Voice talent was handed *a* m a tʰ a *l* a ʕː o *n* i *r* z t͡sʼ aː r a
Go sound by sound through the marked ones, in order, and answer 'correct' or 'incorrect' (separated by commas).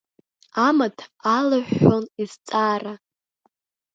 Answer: correct, correct, correct, incorrect